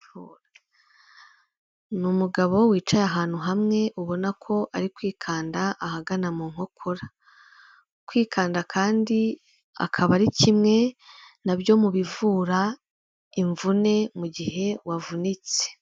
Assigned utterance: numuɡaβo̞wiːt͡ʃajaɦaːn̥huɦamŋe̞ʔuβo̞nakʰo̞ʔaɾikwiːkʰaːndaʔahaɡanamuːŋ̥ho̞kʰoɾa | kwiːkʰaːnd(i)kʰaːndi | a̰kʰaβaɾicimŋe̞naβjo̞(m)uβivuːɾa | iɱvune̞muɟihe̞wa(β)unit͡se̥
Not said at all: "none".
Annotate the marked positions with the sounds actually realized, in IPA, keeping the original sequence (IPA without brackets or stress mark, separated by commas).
a, m, v